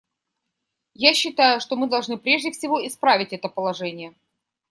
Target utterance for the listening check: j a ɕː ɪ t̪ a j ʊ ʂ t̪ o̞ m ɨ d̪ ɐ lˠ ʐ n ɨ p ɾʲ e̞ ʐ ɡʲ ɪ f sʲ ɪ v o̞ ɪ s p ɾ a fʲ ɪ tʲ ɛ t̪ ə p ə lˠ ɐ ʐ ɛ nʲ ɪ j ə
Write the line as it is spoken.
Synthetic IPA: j a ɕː ɪ t̪ a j ʊ ʂ t̪ o̞ m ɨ d̪ ɐ lˠ ʐ n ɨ p ɾʲ e̞ ʐ dʲ ɪ f sʲ ɪ v o̞ ɪ s p ɾ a vʲ ɪ tʲ ɛ t̪ ə p ə lˠ ɐ ʐ ɛ nʲ ɪ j ə